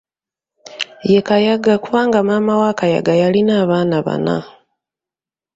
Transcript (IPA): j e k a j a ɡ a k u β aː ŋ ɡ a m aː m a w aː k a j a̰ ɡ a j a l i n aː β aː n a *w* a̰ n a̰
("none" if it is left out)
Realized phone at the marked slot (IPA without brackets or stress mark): β